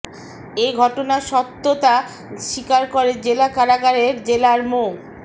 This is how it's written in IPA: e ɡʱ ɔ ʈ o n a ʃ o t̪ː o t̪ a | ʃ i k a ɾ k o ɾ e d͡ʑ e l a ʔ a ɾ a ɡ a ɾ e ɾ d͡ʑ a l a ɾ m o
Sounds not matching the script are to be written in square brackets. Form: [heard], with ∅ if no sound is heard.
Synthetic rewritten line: e ɡʱ ɔ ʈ o n a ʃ [ɔ] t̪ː o t̪ a | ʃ i k a ɾ k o ɾ e d͡ʑ e l a [k] a ɾ a ɡ a ɾ e ɾ d͡ʑ [e] l a ɾ m o